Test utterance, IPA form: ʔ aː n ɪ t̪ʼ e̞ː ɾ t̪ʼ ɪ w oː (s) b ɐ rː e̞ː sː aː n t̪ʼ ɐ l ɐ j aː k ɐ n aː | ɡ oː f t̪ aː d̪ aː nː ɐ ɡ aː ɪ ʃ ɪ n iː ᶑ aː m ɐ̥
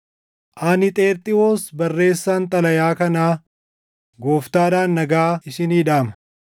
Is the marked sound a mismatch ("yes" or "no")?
no